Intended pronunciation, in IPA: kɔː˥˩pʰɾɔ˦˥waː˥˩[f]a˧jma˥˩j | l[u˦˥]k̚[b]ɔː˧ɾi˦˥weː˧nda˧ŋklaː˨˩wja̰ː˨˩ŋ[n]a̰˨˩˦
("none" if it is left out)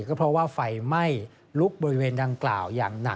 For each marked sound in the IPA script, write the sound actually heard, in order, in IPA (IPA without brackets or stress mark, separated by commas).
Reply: f, u˦˥, b, n